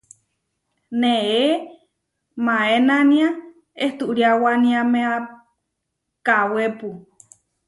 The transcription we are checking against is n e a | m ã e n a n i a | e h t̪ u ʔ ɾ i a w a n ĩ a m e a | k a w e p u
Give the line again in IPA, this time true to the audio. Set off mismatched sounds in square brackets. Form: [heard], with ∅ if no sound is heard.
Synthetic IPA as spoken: n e [e] | m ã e n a n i a | e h t̪ u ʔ ɾ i a w a n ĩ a m e a | k a w e p u